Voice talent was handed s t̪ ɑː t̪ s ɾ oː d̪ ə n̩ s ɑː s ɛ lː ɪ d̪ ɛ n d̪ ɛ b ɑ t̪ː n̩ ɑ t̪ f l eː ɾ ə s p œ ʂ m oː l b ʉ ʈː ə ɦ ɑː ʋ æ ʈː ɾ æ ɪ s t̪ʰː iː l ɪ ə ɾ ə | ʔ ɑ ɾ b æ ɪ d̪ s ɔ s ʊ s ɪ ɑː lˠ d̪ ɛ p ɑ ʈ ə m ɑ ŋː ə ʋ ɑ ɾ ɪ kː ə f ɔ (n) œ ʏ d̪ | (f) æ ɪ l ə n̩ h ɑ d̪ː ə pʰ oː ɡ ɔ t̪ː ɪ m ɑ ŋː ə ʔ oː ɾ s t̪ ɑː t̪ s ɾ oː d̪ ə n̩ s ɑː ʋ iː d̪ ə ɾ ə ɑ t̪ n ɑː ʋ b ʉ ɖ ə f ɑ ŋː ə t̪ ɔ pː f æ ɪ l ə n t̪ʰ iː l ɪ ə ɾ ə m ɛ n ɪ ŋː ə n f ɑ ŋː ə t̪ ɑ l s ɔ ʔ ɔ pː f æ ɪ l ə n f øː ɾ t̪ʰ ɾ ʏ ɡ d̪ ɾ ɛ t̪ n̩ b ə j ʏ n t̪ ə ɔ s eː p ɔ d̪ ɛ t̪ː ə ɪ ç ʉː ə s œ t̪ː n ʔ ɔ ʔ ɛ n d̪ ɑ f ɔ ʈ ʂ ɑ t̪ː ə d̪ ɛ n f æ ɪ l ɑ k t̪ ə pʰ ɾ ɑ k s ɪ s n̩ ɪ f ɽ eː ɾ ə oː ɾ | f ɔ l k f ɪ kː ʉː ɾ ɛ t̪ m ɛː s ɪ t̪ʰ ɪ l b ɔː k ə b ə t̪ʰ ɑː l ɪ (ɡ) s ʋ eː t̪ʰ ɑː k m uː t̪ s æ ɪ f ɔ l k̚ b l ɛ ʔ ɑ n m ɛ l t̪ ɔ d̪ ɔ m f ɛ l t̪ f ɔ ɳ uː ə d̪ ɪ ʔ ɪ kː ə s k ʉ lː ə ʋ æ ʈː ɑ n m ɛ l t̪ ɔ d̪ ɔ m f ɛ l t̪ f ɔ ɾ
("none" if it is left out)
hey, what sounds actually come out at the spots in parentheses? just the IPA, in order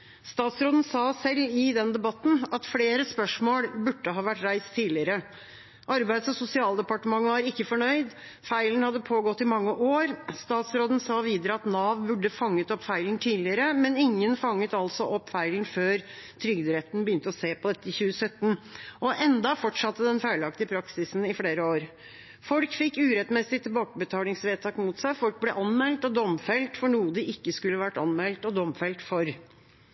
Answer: ɳ, f, ŋ

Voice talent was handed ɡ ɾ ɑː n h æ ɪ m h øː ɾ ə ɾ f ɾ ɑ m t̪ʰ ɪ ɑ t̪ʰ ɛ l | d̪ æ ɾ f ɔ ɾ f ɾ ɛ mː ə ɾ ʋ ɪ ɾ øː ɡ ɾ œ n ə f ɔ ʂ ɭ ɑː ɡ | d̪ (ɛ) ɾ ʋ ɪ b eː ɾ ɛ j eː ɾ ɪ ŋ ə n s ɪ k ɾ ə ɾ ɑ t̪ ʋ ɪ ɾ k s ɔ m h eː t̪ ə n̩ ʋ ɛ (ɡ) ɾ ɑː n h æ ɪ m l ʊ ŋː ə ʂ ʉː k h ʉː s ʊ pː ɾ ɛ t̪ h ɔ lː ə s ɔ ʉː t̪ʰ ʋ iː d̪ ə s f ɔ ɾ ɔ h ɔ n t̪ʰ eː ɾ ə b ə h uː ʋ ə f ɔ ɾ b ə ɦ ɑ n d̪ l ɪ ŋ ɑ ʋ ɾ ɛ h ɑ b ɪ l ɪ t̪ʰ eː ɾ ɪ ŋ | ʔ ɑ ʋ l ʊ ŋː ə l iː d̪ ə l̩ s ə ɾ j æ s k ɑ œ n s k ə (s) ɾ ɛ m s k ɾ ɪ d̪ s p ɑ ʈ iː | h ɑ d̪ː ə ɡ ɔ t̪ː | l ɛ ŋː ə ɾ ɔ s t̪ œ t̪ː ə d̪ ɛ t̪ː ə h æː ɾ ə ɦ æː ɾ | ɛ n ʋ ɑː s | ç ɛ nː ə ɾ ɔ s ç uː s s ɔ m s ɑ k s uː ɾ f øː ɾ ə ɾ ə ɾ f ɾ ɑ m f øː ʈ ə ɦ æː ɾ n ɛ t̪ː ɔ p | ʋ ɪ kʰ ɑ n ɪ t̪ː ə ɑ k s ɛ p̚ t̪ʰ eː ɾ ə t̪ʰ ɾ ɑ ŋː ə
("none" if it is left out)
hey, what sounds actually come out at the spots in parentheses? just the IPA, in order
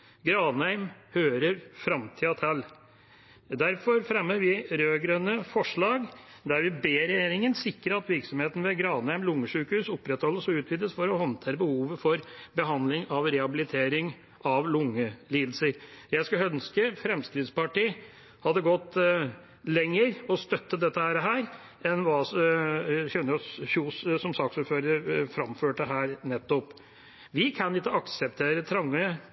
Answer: æ, ɡ, f

